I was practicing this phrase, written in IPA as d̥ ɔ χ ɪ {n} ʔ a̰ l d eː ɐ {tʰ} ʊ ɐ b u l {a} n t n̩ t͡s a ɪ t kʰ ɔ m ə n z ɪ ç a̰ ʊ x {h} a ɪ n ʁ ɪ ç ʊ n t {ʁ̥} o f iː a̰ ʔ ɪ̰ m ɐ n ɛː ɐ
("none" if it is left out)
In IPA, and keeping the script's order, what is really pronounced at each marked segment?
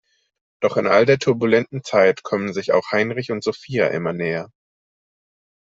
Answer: n, tʰ, ɛ, h, z̥

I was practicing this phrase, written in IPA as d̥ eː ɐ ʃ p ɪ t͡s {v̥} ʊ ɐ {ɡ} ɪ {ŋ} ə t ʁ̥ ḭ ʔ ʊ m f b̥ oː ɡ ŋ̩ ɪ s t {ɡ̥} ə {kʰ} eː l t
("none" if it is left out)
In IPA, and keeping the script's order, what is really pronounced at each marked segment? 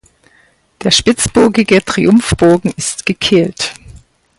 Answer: b̥, ɡ, ɡ, ɡ̥, kʰ

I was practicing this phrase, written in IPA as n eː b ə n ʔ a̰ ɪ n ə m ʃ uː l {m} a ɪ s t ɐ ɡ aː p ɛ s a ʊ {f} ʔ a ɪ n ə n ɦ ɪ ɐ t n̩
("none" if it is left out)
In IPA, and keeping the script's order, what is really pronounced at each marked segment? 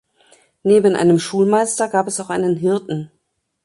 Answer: m, x

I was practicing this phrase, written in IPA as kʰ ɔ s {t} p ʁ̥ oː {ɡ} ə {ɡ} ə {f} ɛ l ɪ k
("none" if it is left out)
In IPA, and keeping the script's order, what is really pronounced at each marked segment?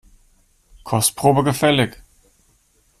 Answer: t, b, ɡ, f

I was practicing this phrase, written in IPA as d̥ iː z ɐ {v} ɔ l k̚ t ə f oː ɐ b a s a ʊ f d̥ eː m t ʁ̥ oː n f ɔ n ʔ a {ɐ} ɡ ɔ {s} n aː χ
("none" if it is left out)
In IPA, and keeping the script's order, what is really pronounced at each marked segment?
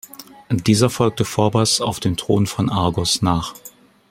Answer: f, ɐ, s

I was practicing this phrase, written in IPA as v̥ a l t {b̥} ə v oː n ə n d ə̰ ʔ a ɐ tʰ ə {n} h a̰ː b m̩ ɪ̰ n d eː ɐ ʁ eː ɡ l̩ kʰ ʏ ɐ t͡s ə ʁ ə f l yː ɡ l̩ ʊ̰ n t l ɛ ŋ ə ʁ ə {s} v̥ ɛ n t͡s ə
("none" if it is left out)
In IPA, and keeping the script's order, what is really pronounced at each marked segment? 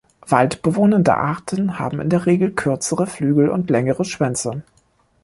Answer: b̥, n, ʃ

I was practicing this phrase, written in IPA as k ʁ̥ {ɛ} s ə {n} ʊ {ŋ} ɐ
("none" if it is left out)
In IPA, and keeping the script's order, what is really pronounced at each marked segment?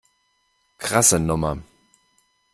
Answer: a, n, m

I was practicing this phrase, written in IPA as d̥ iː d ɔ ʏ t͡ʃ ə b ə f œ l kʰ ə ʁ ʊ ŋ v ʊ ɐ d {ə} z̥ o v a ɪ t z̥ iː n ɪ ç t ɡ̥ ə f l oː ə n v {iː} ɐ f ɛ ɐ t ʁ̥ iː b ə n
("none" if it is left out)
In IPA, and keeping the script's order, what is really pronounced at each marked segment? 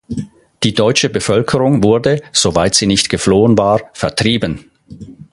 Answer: ə, aː

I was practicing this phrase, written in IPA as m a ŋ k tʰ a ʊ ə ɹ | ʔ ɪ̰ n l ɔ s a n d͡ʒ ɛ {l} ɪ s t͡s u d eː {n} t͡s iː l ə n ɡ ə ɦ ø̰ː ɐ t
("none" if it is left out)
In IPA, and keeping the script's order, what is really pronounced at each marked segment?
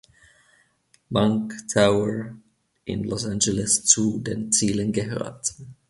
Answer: l, n

